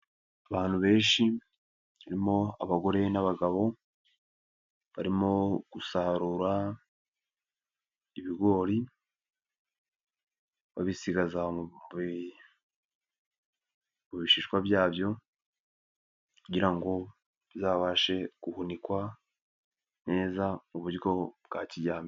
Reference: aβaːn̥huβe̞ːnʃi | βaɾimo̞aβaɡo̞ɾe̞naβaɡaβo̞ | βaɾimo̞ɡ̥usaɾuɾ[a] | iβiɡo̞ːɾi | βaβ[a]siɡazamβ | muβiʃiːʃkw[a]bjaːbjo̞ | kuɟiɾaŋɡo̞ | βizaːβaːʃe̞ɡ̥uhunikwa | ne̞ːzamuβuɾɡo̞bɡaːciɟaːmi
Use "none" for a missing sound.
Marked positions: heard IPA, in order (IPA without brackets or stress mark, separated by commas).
a, i, a